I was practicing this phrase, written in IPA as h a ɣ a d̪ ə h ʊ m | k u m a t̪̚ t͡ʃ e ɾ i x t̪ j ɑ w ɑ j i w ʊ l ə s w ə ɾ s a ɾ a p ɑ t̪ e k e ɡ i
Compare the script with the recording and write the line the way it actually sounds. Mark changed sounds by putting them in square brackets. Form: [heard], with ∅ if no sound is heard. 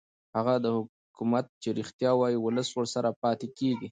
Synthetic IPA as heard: h a ɣ a d̪ ə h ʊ [∅] | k u m a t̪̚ t͡ʃ e ɾ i x t̪ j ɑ w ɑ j i w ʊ l ə s w ə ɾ s a ɾ a p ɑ t̪ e k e ɡ i